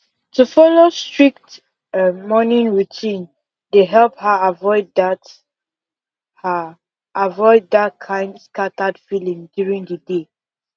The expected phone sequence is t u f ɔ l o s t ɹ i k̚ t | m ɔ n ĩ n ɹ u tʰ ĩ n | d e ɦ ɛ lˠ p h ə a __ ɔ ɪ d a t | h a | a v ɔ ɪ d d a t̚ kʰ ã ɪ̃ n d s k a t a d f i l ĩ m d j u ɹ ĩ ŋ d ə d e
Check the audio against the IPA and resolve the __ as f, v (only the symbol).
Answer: v